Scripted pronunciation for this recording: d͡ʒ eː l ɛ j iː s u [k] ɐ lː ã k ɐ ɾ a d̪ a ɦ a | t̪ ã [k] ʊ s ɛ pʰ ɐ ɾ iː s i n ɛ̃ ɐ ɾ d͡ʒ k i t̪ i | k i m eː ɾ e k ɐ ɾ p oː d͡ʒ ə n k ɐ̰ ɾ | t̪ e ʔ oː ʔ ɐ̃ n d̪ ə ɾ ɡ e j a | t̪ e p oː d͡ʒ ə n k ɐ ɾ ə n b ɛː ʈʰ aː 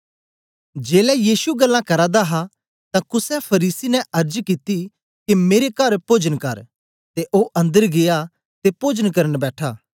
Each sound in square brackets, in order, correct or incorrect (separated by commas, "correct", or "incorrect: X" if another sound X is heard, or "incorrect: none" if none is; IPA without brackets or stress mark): incorrect: ɡ, correct